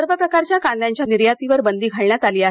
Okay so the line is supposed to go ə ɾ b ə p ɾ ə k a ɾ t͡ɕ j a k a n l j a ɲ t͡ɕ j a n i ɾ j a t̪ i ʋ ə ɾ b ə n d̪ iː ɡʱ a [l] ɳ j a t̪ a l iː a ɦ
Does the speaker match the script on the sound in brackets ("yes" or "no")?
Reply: no